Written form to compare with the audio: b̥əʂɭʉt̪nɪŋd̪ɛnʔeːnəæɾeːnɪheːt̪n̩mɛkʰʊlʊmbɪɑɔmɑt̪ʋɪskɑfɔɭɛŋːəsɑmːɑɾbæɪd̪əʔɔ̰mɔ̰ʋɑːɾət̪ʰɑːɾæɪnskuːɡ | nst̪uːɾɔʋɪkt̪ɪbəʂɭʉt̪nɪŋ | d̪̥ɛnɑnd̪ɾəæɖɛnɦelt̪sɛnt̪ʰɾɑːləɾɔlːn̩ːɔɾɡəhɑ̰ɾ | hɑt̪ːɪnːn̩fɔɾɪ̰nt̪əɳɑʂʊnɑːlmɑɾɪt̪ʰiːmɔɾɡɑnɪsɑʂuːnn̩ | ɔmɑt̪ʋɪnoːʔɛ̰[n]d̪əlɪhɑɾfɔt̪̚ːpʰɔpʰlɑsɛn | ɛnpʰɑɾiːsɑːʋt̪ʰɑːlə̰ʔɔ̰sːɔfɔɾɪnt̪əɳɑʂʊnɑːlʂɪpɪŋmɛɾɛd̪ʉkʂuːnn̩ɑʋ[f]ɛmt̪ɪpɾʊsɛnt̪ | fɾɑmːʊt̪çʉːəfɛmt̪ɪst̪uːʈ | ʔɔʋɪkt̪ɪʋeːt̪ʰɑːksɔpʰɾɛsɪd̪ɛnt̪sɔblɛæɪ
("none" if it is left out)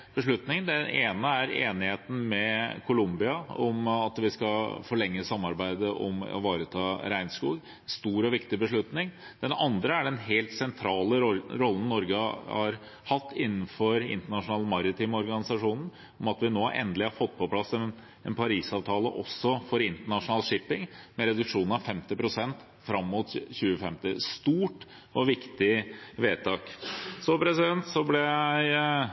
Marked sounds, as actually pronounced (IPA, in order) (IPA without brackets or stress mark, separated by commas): n, f